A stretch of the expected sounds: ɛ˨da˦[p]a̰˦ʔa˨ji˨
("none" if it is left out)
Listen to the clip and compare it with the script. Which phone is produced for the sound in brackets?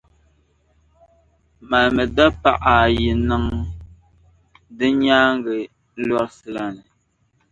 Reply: p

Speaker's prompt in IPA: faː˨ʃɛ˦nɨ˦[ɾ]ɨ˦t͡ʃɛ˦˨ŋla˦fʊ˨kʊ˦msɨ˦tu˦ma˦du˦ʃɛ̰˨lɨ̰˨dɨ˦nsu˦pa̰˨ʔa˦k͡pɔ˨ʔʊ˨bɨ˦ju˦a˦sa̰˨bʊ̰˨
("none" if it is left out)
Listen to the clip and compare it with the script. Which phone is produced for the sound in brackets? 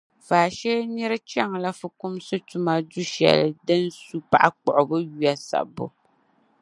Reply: ɾ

